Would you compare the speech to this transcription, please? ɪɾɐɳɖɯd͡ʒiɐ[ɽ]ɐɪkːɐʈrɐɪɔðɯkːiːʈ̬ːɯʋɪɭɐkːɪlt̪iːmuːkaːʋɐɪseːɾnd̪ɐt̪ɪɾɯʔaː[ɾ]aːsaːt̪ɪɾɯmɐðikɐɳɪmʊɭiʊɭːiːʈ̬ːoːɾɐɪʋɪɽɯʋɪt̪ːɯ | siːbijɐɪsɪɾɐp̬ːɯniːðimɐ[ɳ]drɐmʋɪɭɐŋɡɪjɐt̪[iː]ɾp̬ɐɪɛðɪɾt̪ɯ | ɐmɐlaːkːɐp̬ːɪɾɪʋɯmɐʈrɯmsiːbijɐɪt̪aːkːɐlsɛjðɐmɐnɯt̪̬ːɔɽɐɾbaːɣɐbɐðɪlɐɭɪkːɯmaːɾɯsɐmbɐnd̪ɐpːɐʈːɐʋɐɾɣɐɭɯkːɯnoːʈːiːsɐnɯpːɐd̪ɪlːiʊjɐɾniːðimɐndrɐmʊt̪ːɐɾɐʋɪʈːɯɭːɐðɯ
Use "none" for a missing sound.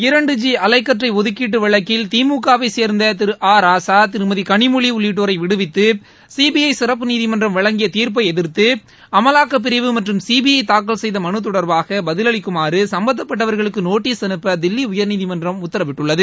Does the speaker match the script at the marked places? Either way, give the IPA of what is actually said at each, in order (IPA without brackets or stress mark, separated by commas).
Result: l, ɾ, n, iː